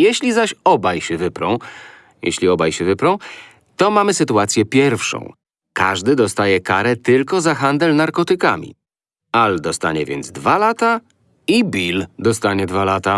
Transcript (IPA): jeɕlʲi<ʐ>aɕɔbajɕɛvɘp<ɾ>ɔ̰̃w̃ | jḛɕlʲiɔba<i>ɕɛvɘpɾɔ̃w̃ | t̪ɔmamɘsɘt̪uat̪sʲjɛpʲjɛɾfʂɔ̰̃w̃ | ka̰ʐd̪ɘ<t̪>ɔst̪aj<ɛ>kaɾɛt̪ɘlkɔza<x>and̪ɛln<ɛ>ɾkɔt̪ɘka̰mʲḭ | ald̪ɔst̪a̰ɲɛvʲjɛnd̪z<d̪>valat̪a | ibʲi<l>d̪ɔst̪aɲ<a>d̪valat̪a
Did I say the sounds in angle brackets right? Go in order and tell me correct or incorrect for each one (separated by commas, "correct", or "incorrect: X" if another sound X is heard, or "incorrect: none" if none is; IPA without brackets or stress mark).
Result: incorrect: z, correct, incorrect: j, incorrect: d̪, correct, correct, incorrect: a, correct, correct, incorrect: ɛ